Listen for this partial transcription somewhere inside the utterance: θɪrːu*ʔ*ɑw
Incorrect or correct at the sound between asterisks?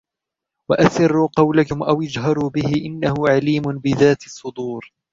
incorrect: q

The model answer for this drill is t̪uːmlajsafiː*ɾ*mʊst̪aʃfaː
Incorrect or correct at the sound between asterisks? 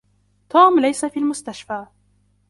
incorrect: l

